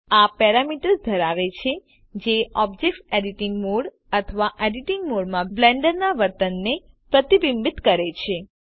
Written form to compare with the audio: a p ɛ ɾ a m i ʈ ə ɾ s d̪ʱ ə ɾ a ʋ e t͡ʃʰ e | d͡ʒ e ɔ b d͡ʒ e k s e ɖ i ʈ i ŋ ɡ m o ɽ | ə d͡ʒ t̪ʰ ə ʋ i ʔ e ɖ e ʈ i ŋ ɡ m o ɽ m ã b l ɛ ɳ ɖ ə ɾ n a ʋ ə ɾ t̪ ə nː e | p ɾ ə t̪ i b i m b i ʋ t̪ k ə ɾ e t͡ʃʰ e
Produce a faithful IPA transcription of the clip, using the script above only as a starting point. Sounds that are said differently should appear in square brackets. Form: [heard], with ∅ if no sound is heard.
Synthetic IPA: a p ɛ ɾ a m i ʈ ə ɾ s d̪ʱ ə ɾ a ʋ e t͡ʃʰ e | d͡ʒ e ɔ b d͡ʒ e k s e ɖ i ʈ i ŋ ɡ m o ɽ | ə [∅] t̪ʰ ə ʋ [a] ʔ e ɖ [i] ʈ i ŋ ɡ m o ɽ m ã b l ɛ ɳ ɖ ə ɾ n a ʋ ə ɾ t̪ ə nː e | p ɾ ə t̪ i b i m b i [∅] t̪ k ə ɾ e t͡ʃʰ e